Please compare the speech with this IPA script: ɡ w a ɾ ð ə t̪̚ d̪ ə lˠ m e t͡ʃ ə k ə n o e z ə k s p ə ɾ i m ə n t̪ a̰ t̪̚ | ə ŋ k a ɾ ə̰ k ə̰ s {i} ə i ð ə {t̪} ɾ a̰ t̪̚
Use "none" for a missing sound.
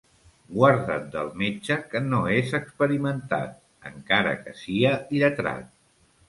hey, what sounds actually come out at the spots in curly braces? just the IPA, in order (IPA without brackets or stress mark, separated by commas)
i, t̪